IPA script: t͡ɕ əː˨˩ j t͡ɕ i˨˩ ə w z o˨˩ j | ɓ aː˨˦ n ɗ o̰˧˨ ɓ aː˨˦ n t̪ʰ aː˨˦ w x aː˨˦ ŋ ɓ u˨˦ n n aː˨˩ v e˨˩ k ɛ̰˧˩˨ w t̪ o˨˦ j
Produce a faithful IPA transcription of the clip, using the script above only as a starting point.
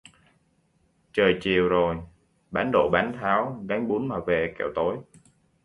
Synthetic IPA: t͡ɕ əː˨˩ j t͡ɕ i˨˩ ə w z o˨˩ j | ɓ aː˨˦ n ɗ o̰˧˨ ɓ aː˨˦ n t̪ʰ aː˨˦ w ɣ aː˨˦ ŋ ɓ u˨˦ n m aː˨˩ v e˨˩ k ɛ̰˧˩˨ w t̪ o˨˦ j